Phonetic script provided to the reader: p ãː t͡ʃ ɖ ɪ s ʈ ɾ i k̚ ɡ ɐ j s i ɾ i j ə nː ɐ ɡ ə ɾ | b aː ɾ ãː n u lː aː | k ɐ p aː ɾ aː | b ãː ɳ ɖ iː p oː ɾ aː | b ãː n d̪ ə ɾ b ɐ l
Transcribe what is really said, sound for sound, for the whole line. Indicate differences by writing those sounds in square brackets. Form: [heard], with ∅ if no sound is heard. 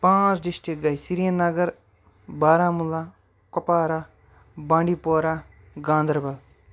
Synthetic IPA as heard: p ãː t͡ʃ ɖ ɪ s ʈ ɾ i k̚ ɡ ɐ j s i ɾ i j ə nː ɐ ɡ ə ɾ | b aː ɾ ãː [m] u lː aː | k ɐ p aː ɾ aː | b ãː ɳ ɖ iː p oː ɾ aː | [ɡ] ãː n d̪ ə ɾ b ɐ l